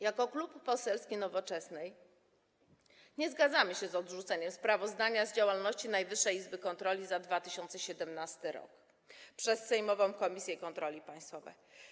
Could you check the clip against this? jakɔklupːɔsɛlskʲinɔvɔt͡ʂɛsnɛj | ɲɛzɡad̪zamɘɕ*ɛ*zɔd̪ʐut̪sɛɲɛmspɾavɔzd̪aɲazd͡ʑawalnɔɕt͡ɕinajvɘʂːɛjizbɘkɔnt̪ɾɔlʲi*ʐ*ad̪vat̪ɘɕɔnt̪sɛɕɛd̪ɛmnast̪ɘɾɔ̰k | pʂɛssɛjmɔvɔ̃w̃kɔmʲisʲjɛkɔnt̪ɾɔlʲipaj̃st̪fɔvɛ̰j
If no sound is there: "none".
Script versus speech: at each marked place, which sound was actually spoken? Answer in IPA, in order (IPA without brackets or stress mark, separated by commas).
ɛ, z